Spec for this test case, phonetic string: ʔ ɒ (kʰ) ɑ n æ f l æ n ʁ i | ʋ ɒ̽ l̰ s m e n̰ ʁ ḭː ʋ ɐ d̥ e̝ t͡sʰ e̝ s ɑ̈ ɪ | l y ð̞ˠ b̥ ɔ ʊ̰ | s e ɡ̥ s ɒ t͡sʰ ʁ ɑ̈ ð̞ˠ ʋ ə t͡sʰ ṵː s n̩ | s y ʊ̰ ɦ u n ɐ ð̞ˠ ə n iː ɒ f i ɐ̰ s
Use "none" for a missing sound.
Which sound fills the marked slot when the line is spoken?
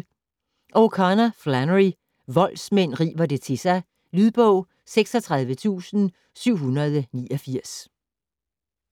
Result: kʰ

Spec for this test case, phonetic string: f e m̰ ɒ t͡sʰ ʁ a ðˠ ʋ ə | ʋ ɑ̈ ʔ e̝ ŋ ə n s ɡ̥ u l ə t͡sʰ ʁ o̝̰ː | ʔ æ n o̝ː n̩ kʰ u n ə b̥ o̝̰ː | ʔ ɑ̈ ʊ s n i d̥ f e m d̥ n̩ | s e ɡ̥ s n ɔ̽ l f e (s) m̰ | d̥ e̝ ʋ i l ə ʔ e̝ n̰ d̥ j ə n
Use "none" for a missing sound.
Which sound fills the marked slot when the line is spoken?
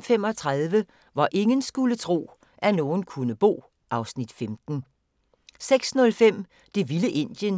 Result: none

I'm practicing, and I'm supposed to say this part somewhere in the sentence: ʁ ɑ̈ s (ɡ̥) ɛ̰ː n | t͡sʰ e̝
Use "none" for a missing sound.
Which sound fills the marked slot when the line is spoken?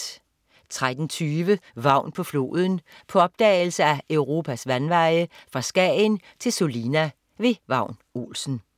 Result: ɡ̥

